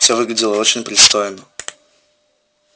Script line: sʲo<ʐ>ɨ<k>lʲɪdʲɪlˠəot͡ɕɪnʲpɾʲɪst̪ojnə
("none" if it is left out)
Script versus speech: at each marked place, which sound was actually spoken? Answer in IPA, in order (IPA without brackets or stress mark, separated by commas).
v, ɡ